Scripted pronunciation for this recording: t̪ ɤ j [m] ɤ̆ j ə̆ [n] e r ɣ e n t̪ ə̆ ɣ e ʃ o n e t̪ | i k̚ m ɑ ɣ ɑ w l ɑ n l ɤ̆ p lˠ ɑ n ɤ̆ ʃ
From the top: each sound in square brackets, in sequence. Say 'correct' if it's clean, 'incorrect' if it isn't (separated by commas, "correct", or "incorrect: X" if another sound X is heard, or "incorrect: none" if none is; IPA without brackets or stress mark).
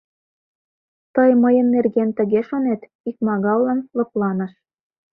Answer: correct, incorrect: nː